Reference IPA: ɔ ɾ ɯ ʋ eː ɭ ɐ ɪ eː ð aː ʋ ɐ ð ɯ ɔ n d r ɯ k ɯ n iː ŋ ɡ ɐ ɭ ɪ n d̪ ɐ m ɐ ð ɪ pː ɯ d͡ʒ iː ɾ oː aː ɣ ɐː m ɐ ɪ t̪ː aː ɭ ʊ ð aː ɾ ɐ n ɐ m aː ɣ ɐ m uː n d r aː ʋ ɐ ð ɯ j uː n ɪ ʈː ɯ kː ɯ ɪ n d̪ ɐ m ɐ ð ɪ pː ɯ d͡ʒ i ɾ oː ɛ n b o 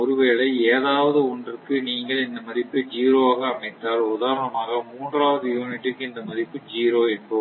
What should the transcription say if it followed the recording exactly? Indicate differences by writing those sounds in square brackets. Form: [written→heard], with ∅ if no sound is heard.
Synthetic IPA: ɔ ɾ ɯ ʋ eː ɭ ɐ ɪ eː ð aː ʋ ɐ ð ɯ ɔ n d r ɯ k ɯ n iː ŋ ɡ ɐ ɭ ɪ n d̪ ɐ m ɐ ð ɪ pː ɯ d͡ʒ iː ɾ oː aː ɣ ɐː m ɐ ɪ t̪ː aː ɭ ʊ ð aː ɾ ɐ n ɐ m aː ɣ ɐ m uː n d r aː ʋ ɐ ð ɯ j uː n ɪ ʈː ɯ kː ɯ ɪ n d̪ ɐ m ɐ ð ɪ pː ɯ d͡ʒ [i→iː] ɾ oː ɛ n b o